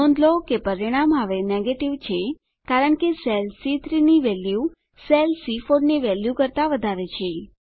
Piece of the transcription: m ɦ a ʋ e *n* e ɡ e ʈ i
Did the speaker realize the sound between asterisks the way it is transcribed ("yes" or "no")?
yes